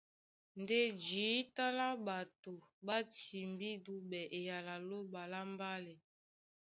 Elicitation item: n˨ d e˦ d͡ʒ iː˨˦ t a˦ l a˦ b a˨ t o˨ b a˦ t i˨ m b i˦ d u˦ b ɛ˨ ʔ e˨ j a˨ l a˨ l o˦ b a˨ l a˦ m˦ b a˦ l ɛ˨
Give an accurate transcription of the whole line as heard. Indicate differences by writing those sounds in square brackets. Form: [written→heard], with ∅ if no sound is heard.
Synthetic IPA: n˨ d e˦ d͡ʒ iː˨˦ t a˦ l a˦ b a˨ t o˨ b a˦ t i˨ m b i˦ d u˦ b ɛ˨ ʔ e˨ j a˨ l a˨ l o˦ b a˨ l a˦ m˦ b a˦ l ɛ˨